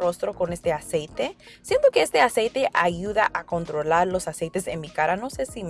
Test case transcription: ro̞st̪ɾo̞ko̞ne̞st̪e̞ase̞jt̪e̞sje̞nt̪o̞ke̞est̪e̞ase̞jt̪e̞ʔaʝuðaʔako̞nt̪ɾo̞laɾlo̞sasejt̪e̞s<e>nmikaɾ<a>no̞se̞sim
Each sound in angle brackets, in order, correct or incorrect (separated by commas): correct, correct